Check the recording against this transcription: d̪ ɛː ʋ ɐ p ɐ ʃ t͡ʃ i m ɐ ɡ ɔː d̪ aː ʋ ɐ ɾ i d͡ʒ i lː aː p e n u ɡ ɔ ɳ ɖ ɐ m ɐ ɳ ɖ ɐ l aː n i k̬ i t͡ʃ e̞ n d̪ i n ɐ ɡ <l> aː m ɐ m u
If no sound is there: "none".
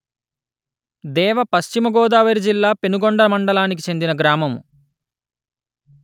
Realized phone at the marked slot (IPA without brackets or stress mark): ɾ